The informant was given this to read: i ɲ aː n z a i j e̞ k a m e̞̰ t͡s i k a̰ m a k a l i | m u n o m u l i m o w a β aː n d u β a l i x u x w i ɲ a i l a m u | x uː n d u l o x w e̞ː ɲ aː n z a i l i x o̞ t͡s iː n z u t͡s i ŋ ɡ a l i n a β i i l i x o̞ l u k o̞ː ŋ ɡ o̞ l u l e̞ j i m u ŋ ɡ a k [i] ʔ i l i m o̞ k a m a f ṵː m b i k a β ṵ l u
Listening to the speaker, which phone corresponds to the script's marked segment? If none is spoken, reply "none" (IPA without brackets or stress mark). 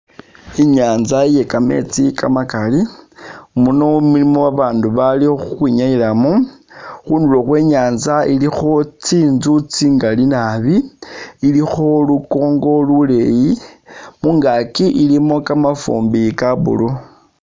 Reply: i